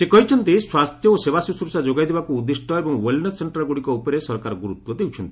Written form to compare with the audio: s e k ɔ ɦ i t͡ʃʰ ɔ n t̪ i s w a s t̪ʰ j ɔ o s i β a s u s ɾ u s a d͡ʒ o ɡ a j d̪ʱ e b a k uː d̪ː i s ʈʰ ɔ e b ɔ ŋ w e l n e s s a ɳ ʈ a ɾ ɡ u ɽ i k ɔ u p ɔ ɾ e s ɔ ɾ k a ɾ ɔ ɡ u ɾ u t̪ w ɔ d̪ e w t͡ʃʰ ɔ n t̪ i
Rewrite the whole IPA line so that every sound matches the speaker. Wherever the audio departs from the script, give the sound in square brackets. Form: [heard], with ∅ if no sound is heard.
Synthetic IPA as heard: s e k ɔ ɦ i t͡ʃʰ ɔ n t̪ i s w a s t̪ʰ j ɔ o s [e] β a s u s ɾ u s a d͡ʒ o ɡ a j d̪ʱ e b a k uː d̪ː i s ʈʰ ɔ e b ɔ ŋ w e l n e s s [e] ɳ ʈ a ɾ ɡ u ɽ i k ɔ u p ɔ ɾ e s ɔ ɾ k a ɾ ɔ ɡ u ɾ u t̪ w ɔ d̪ e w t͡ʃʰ ɔ n t̪ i